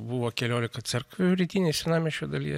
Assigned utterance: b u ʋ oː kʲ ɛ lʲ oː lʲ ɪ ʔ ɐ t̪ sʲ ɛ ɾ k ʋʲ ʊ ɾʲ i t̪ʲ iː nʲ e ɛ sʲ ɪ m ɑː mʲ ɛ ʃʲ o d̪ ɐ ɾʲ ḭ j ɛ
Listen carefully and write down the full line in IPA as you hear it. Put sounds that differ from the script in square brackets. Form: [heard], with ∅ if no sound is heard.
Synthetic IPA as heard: b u ʋ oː kʲ ɛ lʲ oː lʲ ɪ [k] ɐ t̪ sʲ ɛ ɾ k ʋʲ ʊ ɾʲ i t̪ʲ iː nʲ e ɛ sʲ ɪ [n] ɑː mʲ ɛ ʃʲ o d̪ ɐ [lʲ] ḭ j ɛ